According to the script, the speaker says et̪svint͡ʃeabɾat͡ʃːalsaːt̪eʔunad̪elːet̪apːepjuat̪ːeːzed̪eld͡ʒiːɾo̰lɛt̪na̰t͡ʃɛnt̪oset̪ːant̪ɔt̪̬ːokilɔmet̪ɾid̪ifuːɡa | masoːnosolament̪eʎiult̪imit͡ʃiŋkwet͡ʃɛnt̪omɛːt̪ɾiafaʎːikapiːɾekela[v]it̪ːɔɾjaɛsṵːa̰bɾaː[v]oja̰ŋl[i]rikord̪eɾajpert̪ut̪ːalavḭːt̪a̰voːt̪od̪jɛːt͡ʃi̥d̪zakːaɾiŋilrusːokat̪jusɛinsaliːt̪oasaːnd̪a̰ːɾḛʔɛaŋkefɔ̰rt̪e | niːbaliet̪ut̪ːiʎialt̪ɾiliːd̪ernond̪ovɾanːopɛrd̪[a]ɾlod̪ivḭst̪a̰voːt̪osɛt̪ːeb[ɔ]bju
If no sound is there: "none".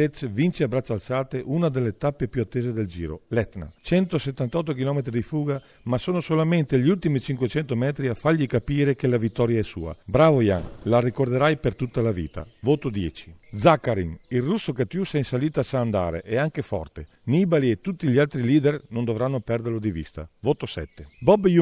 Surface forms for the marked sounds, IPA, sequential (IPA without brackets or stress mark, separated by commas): v, v, a, e, ɔ